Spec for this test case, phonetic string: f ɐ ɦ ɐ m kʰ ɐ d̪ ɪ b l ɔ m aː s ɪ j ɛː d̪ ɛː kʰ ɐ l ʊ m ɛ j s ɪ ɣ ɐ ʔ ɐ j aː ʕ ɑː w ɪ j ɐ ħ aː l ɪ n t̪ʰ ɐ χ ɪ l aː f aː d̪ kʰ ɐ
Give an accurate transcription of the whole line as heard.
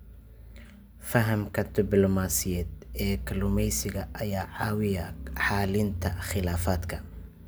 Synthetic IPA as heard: f ɐ ɦ ɐ m kʰ ɐ d̪ ɪ b l ɔ m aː s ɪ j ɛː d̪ ɛː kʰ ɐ l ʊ m ɛ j s ɪ ɣ ɐ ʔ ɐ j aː ʕ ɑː w ɪ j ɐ ħ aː l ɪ n t̪ʰ ɐ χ ɪ l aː f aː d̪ kʰ ɐ